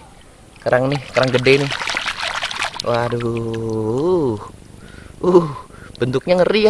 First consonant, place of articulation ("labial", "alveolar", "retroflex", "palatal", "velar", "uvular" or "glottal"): velar